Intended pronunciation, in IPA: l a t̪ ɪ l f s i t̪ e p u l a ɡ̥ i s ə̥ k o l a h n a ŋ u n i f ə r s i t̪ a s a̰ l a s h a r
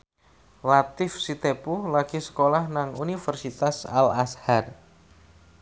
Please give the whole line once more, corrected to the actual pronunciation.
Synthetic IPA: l a t̪ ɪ f s i t̪ e p u l a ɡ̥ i s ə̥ k o l a h n a ŋ u n i f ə r s i t̪ a s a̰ l a s h a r

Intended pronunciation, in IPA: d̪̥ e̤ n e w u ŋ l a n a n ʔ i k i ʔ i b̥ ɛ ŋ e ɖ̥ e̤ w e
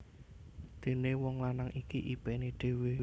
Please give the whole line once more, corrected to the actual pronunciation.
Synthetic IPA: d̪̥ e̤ n e w ɔ ŋ l a n a ŋ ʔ i k i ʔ i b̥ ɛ n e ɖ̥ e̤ w e

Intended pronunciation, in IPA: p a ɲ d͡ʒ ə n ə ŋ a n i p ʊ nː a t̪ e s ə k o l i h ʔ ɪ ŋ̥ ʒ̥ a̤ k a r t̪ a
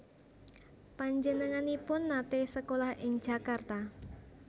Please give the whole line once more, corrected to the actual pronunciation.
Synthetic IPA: p a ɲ d͡ʒ ə n ə ŋ a n i p ʊ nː a t̪ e s ə k o l a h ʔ ɪ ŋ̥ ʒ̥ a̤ k a r t̪ a

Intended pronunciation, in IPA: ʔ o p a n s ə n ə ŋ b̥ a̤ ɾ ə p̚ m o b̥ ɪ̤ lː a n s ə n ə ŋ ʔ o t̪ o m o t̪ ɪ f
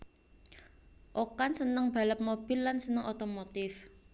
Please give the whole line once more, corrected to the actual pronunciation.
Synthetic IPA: ʔ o k a n s ə n ə ŋ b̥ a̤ l ə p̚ m o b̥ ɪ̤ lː a n s ə n ə ŋ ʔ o t̪ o m o t̪ ɪ f

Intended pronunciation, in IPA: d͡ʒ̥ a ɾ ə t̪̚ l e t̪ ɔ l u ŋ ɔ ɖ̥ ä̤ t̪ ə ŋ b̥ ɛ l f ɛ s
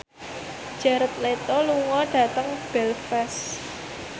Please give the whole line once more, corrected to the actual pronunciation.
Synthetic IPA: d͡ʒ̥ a ɾ ə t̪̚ l e t̪ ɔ l u ŋ ɔ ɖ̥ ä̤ t̪ ə ŋ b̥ ɛ l f ɛ s

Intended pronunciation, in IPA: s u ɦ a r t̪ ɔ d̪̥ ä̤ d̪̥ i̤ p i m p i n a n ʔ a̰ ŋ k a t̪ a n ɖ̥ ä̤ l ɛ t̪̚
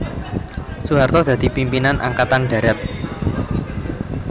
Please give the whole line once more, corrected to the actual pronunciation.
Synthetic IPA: s u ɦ a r t̪ ɔ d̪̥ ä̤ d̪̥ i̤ p i m p i n a n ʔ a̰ ŋ k a t̪ a n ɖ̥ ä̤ ɾ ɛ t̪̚

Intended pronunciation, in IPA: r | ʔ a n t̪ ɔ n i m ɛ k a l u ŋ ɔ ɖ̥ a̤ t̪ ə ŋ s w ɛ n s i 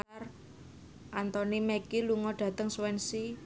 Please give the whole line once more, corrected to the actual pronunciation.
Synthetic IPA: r | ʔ a n t̪ ɔ n i m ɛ k i l u ŋ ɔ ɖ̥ a̤ t̪ ə ŋ s w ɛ n s i

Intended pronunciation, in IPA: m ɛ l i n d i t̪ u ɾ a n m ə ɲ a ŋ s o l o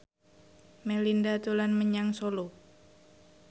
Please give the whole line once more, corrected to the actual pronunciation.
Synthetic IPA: m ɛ l i n d a t̪ u l a n m ə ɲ a ŋ s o l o

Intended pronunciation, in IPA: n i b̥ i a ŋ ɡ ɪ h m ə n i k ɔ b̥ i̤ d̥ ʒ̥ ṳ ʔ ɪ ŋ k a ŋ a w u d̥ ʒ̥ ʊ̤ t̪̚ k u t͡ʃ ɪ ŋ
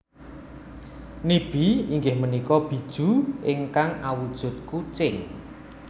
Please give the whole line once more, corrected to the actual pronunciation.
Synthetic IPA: n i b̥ i i ŋ ɡ ɪ h m ə n i k ɔ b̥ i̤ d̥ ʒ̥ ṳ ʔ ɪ ŋ k a ŋ a w u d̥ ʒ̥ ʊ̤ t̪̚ k u t͡ʃ ɪ ŋ

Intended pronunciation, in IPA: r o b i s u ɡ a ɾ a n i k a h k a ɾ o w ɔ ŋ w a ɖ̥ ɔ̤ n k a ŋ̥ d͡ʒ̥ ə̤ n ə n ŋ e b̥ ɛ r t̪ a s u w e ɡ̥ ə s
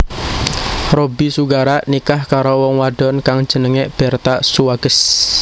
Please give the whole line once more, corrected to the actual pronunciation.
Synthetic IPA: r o b i s u ɡ a ɾ a n i k a h k a ɾ o w ɔ ŋ w a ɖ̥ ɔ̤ n k a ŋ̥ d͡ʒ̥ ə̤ n ə ŋ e b̥ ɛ r t̪ a s u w a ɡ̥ ə s

